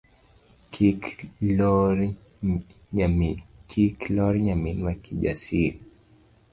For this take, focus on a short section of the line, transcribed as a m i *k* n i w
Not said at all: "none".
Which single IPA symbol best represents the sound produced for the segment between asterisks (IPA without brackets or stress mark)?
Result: none